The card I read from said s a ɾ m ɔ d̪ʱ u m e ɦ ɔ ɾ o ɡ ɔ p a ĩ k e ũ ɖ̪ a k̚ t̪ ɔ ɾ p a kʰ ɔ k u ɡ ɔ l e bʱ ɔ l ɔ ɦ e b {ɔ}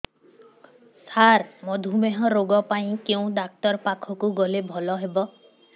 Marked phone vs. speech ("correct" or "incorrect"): correct